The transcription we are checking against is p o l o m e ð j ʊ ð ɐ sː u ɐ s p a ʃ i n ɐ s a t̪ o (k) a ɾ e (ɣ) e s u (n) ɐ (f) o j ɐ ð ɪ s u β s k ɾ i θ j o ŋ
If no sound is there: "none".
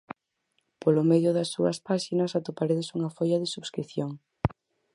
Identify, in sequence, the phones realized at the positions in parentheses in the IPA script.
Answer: p, ð, ŋ, f

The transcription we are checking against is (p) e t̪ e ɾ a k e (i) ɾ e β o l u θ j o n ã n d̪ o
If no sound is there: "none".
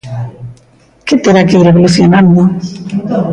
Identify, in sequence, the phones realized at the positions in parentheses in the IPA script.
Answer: k, i

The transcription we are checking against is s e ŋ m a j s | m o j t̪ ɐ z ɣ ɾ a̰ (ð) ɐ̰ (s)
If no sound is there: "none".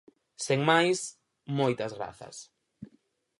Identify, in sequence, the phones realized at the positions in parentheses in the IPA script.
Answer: θ, s

